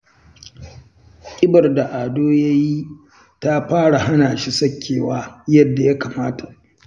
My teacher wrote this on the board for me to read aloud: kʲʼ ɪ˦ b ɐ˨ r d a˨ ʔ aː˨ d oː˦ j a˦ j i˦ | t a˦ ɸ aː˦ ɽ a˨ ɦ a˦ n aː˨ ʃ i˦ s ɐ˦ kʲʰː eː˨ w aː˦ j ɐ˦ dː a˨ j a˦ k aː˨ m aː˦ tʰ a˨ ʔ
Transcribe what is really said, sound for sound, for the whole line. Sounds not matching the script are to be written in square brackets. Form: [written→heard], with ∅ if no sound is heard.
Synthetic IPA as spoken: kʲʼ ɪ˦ b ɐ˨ r d a˨ ʔ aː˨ d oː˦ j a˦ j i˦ | t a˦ ɸ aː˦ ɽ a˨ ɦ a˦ n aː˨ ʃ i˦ s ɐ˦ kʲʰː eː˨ w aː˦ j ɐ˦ dː a˨ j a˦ k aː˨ m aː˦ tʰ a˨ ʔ